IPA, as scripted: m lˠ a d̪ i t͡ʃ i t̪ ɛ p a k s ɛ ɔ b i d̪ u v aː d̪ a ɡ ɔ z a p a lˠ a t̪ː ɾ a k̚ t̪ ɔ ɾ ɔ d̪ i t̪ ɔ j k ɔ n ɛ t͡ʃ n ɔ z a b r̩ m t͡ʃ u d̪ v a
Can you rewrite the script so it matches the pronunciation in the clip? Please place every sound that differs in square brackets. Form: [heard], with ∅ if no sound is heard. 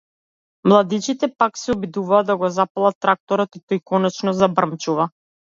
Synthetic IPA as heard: m lˠ a d̪ i t͡ʃ i t̪ ɛ p a k s ɛ ɔ b i d̪ u v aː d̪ a ɡ ɔ z a p a lˠ a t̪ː ɾ a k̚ t̪ ɔ ɾ ɔ [t̪] i t̪ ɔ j k ɔ n ɛ t͡ʃ n ɔ z a b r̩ m t͡ʃ u [∅] v a